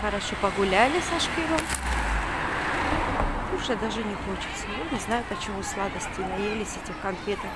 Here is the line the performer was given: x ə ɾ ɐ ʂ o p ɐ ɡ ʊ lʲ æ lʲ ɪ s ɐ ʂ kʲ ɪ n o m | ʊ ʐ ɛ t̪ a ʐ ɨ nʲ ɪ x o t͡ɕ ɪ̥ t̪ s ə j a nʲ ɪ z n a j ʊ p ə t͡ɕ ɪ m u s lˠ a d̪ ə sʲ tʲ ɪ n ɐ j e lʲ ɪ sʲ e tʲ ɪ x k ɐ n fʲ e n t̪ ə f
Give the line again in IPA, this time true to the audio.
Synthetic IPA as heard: x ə ɾ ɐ ʂ o p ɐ ɡ ʊ lʲ æ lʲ ɪ s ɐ ʂ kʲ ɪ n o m | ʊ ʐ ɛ d̪ a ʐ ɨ nʲ ɪ x o t͡ɕ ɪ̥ t̪ s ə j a nʲ ɪ z n a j ʊ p ə t͡ɕ ɪ m u s lˠ a d̪ ə sʲ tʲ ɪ n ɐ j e lʲ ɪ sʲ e tʲ ɪ x k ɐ n fʲ e t̪ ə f